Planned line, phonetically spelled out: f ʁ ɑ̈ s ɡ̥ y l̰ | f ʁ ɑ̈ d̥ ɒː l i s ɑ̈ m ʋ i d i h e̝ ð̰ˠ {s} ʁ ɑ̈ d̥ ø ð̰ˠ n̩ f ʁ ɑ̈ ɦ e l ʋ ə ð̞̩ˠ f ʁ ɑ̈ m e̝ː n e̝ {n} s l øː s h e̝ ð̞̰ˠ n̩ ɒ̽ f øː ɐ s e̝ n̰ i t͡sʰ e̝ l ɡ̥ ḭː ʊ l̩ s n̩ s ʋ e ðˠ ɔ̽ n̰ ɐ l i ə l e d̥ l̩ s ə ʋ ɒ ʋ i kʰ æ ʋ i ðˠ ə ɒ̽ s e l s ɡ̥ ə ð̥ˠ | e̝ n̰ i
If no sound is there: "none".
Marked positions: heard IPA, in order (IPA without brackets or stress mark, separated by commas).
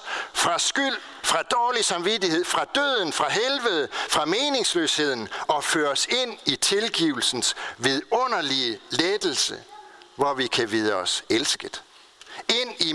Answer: f, ŋ